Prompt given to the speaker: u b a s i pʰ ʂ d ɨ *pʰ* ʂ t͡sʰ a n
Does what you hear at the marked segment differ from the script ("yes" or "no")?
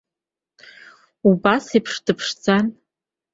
no